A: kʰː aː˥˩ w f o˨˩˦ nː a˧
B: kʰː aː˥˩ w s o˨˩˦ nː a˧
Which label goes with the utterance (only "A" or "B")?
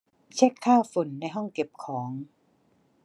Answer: A